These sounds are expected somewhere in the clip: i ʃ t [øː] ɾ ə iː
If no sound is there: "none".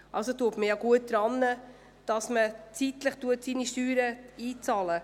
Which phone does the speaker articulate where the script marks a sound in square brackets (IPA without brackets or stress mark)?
yː